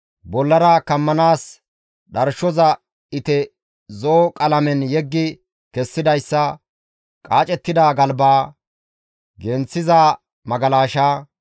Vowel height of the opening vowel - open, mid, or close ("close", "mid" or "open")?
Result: mid